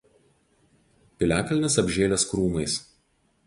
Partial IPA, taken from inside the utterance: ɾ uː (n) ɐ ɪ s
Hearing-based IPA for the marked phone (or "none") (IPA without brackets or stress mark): m